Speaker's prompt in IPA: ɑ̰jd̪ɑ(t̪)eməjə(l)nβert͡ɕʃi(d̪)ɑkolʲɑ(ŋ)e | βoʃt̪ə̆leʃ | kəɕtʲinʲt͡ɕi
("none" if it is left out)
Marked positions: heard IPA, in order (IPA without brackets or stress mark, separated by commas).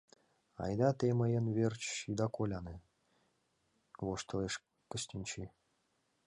t̪, none, d̪, n